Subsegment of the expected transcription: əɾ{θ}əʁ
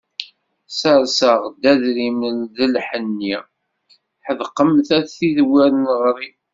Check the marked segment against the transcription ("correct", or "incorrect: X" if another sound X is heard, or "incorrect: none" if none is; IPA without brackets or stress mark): incorrect: s